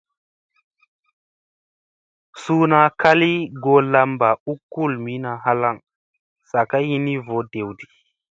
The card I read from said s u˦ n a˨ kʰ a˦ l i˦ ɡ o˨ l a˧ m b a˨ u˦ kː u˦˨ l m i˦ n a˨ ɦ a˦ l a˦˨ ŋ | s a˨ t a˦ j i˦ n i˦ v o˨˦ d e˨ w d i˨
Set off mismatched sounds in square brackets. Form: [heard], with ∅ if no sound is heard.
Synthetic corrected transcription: s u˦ n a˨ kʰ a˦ l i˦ ɡ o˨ l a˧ m b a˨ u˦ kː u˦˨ l m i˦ n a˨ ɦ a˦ l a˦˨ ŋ | s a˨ [k] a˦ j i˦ n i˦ v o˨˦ d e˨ w d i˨

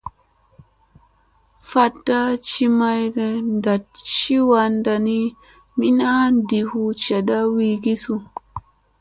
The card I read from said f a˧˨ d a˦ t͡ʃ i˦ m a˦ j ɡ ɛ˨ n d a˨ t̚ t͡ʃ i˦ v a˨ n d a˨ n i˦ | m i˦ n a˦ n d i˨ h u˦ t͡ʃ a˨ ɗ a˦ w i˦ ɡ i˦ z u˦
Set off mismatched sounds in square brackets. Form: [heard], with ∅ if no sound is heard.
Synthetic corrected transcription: f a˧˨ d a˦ t͡ʃ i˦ m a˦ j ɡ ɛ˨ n d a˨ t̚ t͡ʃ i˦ [w] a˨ n d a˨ n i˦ | m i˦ n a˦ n d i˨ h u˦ t͡ʃ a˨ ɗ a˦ w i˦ ɡ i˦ [s] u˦

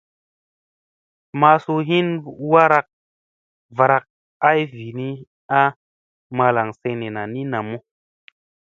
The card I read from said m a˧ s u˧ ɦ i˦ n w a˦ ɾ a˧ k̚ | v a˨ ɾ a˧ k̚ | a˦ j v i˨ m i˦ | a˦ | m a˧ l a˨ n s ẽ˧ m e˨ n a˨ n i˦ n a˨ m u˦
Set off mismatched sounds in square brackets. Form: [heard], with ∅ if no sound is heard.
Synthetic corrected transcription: m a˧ s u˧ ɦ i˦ n w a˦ ɾ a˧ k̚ | v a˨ ɾ a˧ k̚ | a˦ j v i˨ [n] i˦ | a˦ | m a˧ l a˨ [ŋ] s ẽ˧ [n] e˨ n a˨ n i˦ n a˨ m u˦

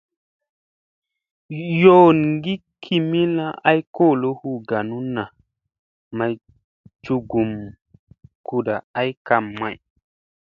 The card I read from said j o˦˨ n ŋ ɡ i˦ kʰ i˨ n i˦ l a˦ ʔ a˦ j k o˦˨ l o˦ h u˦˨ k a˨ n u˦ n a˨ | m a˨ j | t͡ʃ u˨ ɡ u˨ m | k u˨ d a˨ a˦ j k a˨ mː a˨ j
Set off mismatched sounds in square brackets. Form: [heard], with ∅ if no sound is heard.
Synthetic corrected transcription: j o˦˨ n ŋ ɡ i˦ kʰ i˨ [m] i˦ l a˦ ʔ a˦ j k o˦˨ l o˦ h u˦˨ [ɡ] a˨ n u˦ n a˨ | m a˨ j | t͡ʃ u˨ ɡ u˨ m | k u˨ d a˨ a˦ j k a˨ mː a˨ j

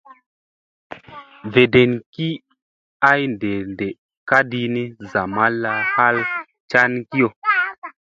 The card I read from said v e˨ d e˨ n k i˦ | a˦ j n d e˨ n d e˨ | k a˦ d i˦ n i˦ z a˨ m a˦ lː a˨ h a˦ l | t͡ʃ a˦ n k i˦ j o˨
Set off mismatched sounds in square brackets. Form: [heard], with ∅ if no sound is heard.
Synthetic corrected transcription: v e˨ d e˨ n k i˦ | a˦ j n d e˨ n d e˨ | k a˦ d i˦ n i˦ z a˨ m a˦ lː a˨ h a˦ l | t͡ʃ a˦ n k i˦ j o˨

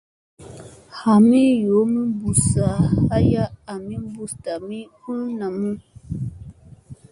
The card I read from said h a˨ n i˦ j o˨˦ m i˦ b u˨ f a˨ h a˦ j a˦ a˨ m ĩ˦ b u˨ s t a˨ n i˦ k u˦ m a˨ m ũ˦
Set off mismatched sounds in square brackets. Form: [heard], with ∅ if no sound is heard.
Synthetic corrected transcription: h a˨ [m] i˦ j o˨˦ m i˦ b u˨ [s] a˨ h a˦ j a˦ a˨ m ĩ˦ b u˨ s t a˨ [m] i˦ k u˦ [n] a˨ m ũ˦

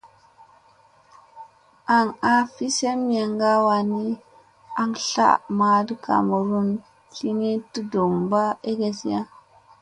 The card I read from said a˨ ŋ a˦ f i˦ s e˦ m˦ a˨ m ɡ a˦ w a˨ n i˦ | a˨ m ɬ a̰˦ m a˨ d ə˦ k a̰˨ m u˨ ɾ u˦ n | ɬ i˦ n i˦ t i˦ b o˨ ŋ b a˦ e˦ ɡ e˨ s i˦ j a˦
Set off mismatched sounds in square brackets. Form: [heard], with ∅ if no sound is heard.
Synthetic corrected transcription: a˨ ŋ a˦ f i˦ s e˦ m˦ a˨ [ŋ] ɡ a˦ w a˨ n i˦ | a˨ [ŋ] ɬ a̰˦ m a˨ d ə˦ k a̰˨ m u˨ ɾ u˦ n | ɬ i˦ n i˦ t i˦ [d] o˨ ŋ b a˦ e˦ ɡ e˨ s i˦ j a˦

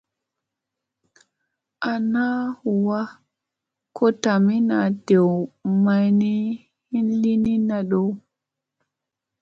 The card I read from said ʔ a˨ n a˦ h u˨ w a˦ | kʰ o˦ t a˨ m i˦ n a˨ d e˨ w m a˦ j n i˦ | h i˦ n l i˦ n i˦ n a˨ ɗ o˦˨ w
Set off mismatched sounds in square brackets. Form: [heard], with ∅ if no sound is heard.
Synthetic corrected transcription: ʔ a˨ n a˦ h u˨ w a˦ | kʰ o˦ t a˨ m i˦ n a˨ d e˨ w m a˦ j n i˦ | h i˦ n l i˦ n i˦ n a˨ ɗ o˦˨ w

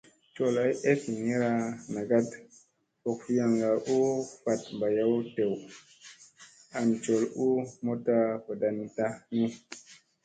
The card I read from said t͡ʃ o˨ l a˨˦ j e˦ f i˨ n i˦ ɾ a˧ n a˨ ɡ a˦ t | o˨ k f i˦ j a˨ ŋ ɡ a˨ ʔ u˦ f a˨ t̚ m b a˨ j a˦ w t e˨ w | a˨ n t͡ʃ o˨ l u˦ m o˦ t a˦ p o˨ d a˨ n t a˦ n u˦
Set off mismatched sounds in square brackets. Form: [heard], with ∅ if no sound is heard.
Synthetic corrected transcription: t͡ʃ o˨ l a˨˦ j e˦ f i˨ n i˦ ɾ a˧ n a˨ ɡ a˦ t | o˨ k f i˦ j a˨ ŋ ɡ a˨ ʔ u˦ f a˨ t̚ m b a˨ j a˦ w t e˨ w | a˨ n t͡ʃ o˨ l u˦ m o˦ t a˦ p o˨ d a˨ n t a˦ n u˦

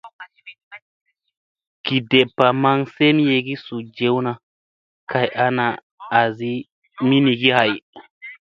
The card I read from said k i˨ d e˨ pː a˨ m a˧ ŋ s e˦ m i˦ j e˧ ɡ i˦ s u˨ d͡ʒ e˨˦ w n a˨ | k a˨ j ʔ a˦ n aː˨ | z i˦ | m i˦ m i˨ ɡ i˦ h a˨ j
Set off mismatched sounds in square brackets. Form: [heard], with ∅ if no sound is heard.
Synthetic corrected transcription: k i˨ d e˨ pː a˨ m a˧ ŋ s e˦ m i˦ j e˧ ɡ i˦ s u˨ d͡ʒ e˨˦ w n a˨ | k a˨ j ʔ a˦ n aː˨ | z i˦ | m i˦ [n] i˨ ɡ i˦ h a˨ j

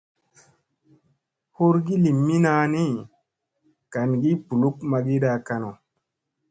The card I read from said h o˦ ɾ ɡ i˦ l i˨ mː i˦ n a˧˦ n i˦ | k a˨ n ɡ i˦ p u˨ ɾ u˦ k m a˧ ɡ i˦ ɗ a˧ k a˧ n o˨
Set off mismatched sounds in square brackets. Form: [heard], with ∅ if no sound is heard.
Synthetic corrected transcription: h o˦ ɾ ɡ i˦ l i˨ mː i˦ n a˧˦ n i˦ | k a˨ n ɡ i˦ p u˨ [l] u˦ k m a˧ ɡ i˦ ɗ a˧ k a˧ n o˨

